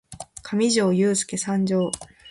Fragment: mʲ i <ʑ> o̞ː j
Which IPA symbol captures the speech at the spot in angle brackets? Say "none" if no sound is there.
ʑ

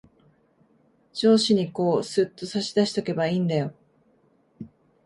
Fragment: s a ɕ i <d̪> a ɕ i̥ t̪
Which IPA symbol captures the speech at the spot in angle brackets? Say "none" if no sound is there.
d̪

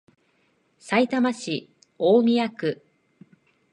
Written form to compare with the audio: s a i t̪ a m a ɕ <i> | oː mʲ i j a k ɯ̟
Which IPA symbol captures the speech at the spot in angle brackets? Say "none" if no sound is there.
i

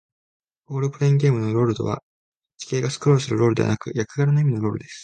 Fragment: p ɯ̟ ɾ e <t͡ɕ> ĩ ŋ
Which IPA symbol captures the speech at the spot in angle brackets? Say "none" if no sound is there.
none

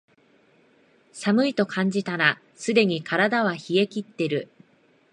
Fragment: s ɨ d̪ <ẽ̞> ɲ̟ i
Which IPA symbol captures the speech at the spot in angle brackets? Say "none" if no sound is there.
e̞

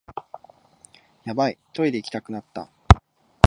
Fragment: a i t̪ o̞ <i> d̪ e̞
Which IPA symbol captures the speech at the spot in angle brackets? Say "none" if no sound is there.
i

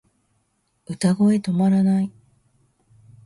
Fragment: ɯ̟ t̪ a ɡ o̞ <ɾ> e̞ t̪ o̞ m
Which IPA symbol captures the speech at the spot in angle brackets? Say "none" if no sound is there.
none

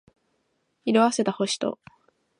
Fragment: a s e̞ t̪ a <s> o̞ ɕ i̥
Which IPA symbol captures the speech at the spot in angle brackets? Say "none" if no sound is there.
h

